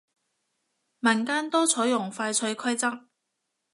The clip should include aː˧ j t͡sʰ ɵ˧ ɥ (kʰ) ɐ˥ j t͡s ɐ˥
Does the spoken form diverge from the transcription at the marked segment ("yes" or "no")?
no